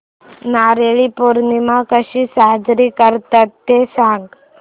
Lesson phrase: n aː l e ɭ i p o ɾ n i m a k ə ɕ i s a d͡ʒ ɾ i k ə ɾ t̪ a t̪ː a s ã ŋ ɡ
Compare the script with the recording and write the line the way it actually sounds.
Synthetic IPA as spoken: n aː ɾ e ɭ i p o ɾ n i m a k ə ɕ i s a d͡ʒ ɾ i k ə ɾ t̪ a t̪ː e s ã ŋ ɡ